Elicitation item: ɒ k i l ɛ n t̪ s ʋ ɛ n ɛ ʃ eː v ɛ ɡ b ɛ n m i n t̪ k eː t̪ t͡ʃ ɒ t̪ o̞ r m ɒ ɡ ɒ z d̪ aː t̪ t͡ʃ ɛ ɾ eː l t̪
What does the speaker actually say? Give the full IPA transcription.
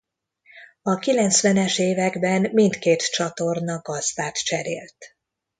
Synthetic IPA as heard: ɒ k i l ɛ n t̪ s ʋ ɛ n ɛ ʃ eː v ɛ ɡ b ɛ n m i n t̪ k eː t̪ t͡ʃ ɒ t̪ o̞ r n ɒ ɡ ɒ z d̪ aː t̪ t͡ʃ ɛ ɾ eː l t̪